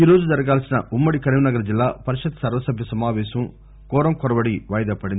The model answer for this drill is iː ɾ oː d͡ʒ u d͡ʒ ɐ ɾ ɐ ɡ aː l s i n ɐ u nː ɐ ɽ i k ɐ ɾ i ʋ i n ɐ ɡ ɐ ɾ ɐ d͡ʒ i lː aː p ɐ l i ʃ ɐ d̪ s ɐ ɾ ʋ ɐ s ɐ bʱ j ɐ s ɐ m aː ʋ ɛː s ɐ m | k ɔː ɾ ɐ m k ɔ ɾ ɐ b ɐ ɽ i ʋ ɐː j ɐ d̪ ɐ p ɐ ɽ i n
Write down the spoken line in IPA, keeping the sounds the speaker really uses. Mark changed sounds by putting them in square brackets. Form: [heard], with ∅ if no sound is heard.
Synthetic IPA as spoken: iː ɾ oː d͡ʒ u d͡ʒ ɐ ɾ ɐ ɡ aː l s i n ɐ u [mː] ɐ ɽ i k ɐ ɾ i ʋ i n ɐ ɡ ɐ ɾ ɐ d͡ʒ i lː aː p ɐ [ɾ] i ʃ ɐ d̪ s ɐ ɾ ʋ ɐ s ɐ bʱ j ɐ s ɐ m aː ʋ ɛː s ɐ m | k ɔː ɾ ɐ m k ɔ ɾ ɐ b ɐ ɽ i ʋ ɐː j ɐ d̪ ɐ p ɐ ɽ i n